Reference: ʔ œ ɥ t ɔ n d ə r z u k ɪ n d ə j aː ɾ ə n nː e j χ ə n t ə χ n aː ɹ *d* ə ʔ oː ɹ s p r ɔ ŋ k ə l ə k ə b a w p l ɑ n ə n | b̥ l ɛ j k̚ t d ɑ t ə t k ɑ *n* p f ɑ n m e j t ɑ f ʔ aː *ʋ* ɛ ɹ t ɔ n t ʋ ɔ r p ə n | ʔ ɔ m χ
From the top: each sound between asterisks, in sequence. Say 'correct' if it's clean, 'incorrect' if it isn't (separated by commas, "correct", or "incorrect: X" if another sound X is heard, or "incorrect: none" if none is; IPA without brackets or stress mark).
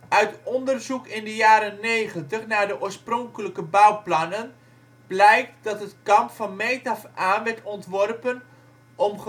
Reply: correct, incorrect: m, correct